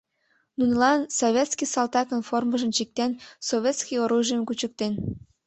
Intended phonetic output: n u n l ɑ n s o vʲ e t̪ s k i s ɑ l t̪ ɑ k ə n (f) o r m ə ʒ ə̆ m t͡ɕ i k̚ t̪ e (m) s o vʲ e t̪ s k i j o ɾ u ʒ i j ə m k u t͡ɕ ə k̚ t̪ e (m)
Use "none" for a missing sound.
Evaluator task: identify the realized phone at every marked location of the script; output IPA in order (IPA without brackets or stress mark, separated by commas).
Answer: f, n, n